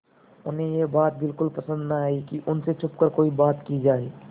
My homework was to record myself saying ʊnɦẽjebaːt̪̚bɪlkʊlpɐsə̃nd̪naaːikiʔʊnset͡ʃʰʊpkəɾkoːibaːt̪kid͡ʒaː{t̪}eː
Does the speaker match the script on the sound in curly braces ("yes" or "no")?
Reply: no